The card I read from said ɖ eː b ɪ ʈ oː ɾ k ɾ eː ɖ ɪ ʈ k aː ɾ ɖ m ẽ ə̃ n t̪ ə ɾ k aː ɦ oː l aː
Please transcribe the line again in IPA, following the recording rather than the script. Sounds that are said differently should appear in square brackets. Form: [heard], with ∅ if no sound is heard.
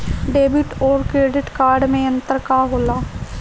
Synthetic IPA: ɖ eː b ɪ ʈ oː ɾ k ɾ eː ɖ ɪ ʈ k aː ɾ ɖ m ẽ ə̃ n t̪ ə ɾ k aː ɦ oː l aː